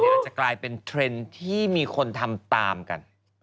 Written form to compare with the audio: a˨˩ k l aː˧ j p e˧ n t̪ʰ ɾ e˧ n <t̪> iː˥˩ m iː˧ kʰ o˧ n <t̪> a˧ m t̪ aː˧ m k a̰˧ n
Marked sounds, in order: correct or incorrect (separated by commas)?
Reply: incorrect, incorrect